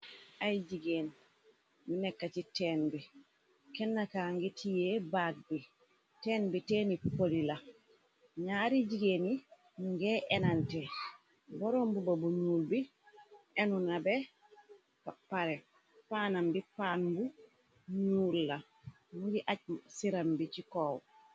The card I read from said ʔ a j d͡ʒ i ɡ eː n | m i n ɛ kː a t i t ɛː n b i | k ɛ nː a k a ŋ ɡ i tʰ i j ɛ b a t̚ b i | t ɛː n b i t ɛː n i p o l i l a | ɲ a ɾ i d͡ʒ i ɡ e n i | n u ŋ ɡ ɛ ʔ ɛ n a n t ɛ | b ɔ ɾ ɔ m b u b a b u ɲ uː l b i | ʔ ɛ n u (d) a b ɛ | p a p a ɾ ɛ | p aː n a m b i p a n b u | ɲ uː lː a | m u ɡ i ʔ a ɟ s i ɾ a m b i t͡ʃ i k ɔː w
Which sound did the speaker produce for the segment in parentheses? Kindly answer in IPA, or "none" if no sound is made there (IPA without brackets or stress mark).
n